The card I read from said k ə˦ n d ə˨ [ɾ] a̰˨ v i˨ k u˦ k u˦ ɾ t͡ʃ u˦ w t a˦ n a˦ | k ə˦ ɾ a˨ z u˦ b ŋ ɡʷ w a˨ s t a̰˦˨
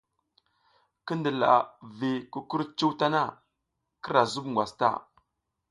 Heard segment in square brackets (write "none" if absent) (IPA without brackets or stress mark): l